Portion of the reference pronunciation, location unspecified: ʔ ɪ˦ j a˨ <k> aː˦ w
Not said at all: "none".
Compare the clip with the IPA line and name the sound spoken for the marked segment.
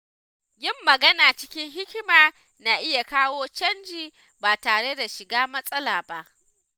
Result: k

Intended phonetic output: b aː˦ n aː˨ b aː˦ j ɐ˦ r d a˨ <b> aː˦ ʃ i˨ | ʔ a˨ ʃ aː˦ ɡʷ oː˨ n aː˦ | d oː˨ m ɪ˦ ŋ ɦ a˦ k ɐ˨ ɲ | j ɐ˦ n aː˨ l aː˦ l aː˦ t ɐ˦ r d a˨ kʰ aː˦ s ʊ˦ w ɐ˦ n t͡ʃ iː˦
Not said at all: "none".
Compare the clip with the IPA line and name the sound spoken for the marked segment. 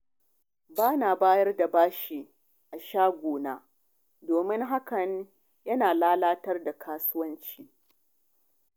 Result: b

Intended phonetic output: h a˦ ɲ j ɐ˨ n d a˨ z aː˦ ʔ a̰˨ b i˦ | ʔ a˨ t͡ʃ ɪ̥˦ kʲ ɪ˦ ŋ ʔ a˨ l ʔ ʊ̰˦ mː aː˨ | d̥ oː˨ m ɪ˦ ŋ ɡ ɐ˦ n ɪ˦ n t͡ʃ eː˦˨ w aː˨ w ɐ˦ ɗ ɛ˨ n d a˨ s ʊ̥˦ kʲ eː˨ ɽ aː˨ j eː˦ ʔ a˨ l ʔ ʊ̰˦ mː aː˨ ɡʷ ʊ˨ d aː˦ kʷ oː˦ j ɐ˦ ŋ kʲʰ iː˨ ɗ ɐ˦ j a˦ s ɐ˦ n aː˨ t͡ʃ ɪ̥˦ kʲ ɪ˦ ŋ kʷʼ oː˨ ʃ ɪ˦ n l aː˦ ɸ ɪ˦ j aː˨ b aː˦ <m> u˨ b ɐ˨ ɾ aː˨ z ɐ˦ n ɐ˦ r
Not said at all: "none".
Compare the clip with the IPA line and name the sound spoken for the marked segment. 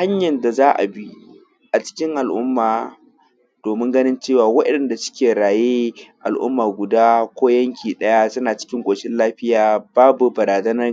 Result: b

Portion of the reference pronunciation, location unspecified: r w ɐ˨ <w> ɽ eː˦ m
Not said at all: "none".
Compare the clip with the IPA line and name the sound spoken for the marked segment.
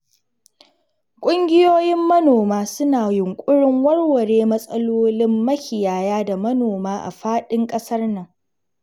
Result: none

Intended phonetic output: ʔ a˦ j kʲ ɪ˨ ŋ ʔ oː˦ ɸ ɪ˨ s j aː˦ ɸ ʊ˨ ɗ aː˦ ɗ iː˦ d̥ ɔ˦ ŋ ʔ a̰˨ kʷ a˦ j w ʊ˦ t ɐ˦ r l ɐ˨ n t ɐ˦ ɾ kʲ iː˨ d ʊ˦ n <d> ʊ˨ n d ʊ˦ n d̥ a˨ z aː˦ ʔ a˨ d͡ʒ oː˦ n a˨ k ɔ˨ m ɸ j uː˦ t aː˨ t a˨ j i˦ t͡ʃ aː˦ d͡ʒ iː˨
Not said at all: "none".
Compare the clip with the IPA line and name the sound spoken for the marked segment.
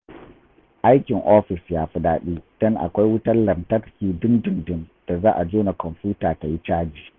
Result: d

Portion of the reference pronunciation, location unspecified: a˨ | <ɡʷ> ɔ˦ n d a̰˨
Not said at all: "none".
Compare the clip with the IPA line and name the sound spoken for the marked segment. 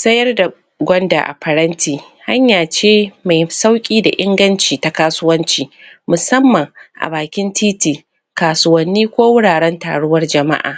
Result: ɡʷ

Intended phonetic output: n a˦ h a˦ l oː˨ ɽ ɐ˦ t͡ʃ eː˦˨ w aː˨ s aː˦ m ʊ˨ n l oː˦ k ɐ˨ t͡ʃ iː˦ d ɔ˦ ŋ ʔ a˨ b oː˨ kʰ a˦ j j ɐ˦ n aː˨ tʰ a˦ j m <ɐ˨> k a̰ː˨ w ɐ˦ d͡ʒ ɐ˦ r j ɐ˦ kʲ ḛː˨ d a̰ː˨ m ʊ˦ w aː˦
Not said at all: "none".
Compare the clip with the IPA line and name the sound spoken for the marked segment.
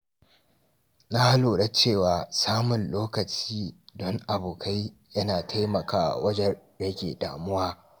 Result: ɐ˨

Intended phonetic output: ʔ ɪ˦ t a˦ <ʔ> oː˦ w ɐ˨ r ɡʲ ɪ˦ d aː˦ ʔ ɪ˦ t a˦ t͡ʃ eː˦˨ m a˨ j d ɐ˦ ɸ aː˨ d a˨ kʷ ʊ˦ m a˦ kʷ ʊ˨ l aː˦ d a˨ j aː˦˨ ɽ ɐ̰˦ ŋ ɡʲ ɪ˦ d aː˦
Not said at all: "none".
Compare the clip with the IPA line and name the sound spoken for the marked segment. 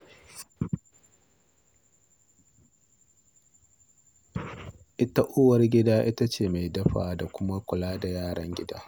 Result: ʔ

